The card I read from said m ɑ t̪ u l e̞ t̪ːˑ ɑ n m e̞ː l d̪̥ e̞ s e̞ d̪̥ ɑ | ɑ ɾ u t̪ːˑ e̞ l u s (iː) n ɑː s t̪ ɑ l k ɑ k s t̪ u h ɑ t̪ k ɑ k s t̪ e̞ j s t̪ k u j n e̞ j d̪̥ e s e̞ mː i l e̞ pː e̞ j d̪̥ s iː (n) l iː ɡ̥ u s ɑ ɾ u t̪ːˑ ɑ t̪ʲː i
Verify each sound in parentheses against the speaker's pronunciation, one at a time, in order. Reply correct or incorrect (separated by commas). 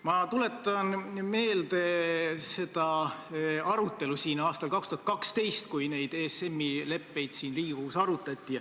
correct, correct